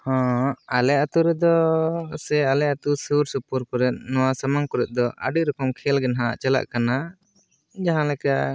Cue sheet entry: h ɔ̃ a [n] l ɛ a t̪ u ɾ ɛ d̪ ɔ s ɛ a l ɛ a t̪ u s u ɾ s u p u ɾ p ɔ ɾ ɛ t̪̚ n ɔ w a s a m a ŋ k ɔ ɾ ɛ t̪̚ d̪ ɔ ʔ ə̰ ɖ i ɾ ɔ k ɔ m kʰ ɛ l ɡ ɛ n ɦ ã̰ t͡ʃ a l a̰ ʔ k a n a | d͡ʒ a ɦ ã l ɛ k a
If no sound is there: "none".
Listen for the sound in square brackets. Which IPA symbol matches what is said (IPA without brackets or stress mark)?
none